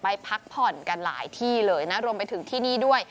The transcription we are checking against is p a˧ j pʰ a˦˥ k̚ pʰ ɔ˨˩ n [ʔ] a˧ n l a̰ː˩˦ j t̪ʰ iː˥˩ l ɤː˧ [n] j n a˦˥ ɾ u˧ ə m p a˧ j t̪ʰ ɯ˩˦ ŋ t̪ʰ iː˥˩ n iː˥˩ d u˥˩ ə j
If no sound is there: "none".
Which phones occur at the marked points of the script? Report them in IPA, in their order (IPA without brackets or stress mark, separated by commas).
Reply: k, none